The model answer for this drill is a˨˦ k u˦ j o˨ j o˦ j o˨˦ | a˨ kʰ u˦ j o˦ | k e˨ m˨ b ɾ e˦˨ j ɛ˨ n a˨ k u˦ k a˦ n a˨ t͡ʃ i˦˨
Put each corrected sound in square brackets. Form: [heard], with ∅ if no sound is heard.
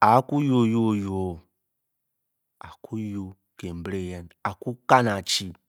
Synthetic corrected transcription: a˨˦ k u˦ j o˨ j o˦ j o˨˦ | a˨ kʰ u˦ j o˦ | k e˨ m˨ b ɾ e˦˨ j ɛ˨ n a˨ k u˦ k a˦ n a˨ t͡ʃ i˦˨